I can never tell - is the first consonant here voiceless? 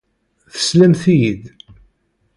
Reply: yes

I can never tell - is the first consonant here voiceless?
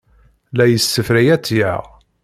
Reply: no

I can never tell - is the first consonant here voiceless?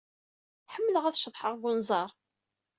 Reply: yes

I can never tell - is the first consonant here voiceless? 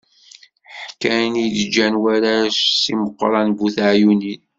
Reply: yes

